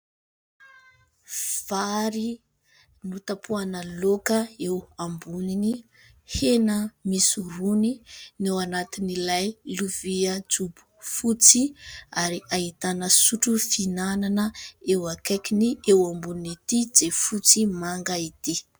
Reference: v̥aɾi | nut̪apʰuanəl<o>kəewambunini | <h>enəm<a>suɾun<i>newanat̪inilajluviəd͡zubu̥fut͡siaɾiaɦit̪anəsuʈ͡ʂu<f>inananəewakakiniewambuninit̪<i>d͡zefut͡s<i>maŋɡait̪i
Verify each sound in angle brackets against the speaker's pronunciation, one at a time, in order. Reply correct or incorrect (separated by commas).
correct, correct, incorrect, correct, correct, correct, correct